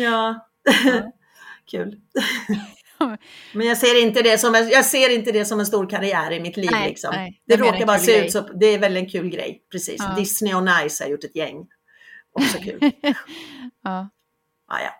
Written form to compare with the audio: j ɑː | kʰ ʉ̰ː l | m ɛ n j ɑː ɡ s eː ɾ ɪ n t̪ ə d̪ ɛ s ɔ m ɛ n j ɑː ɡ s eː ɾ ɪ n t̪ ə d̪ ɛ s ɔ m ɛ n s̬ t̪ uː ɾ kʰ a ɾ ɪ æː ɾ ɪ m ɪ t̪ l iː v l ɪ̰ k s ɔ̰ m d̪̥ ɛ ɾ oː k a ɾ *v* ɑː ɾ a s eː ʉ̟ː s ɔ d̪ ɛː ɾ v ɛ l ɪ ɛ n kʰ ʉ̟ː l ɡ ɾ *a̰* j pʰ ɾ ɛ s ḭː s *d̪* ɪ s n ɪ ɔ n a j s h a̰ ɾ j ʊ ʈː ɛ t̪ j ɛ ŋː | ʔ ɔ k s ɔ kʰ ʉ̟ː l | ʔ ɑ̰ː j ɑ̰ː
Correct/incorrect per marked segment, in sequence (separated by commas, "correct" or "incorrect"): incorrect, incorrect, correct